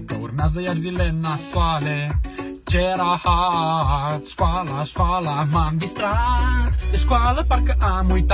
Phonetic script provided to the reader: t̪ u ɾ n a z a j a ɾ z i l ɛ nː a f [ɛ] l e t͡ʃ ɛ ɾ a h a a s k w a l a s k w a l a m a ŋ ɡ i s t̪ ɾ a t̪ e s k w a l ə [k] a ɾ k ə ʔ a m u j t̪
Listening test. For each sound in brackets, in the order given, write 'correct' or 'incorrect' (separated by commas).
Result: incorrect, incorrect